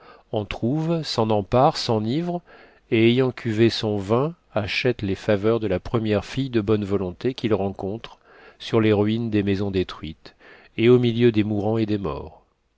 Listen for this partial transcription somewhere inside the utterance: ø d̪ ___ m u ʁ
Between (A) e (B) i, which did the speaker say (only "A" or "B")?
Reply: A